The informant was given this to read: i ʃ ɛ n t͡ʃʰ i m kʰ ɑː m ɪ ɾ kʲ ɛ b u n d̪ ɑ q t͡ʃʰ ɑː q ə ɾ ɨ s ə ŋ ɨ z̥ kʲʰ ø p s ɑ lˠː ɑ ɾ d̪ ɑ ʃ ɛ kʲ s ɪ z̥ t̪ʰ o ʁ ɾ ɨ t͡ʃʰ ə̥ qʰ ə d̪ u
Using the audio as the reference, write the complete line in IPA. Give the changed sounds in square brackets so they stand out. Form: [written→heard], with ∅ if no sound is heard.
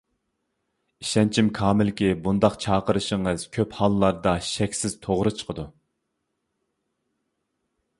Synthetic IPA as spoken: i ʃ ɛ n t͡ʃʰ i m kʰ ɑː m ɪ [ɾ→l] kʲ [ɛ→i] b u n d̪ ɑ q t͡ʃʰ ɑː q ə ɾ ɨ [s→ʃ] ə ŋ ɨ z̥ kʲʰ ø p [s→h] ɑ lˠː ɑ ɾ d̪ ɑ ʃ ɛ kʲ s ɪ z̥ t̪ʰ o ʁ ɾ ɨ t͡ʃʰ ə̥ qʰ ə d̪ u